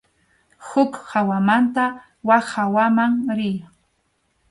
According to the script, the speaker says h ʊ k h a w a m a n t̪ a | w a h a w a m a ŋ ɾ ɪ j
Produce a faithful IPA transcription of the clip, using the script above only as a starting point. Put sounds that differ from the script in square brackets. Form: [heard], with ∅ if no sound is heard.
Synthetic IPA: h ʊ k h a w a m a n t̪ a | w a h a w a m a ŋ ɾ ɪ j